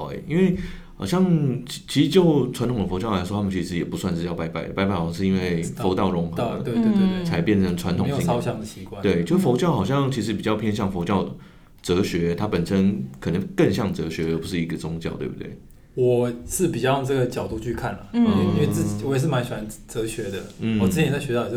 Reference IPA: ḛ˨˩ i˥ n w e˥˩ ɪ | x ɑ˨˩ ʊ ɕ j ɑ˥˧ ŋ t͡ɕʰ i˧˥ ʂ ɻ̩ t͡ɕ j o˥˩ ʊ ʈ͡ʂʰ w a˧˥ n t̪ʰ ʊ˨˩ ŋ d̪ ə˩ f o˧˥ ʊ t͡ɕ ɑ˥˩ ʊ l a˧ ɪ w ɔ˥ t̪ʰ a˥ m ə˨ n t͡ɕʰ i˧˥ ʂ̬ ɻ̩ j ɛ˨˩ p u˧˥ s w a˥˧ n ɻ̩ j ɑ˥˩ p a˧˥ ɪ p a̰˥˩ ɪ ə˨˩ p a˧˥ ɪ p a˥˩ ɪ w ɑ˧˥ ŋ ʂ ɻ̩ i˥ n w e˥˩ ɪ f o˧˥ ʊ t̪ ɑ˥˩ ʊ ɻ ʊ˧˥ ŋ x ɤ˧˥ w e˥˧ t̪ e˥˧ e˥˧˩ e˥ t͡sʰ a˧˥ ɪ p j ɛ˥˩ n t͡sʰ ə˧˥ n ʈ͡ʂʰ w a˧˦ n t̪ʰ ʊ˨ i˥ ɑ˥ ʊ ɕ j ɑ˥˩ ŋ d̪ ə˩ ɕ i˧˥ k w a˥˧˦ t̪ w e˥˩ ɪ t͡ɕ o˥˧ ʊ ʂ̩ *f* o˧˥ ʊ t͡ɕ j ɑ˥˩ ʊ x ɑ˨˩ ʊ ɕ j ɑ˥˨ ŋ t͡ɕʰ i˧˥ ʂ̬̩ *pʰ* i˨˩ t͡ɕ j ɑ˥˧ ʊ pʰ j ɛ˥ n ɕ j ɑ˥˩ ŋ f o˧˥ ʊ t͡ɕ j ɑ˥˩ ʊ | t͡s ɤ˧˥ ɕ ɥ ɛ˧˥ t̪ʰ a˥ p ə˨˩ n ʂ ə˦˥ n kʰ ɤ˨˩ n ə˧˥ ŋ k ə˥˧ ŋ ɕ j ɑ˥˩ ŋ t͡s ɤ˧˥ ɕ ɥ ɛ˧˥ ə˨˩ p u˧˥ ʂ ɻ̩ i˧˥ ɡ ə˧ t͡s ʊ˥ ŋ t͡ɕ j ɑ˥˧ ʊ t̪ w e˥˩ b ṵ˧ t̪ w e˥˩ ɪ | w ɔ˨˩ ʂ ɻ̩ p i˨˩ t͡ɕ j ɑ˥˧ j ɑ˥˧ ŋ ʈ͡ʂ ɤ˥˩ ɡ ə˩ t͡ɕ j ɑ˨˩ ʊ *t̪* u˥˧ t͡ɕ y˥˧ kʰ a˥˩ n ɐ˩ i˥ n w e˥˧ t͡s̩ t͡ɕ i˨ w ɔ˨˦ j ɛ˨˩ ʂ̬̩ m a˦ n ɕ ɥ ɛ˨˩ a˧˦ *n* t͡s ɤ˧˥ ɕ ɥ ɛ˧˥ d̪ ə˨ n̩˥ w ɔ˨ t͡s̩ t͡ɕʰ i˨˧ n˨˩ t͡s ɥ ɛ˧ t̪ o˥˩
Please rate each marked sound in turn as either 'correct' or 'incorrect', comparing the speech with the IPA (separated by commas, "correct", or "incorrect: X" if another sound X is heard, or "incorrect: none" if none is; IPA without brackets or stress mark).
correct, incorrect: p, correct, correct